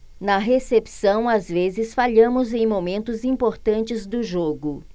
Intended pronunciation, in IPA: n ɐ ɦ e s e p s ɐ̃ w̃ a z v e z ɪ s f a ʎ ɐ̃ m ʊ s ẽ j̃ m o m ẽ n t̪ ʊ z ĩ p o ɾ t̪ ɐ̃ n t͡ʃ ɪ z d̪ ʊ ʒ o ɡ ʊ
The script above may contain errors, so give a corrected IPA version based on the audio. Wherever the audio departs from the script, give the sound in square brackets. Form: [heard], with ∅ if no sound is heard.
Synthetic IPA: n ɐ ɦ e s e p s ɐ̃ w̃ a z v e z ɪ s f a ʎ ɐ̃ m ʊ [z] ẽ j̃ m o m ẽ n t̪ ʊ z ĩ p o ɾ t̪ ɐ̃ n t͡ʃ ɪ z d̪ ʊ ʒ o ɡ ʊ